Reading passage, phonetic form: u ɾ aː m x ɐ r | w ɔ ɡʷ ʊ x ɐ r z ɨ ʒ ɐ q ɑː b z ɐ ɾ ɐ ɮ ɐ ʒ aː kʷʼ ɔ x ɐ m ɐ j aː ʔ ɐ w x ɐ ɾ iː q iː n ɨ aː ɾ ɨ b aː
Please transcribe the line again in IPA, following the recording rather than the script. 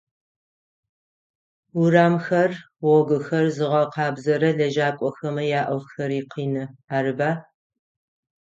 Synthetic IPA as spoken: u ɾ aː m x ɐ r | w ɔ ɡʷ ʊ x ɐ r z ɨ ʁ ɐ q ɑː b z ɐ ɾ ɐ ɮ ɐ ʒ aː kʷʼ ɔ x ɐ m ɐ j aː ʔ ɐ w x ɐ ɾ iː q iː n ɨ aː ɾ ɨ b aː

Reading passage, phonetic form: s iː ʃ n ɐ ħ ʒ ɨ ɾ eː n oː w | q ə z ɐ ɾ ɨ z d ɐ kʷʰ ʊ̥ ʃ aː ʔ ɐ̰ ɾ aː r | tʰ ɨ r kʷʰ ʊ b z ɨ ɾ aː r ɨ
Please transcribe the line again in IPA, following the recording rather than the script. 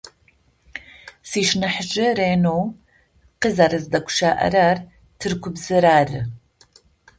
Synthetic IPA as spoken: s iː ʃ n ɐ ħ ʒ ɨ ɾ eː n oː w | q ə z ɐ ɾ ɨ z d ɐ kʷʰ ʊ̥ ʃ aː ʔ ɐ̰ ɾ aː r | tʰ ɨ r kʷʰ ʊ b z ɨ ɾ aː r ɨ

